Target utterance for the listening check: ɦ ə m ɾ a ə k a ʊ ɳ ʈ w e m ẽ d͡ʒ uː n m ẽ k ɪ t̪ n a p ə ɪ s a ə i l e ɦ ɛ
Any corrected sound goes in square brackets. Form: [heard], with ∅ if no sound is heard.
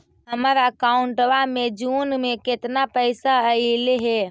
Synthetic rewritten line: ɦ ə m ɾ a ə k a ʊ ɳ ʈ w [a] m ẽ d͡ʒ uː n m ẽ k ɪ t̪ n a p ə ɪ s a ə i l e ɦ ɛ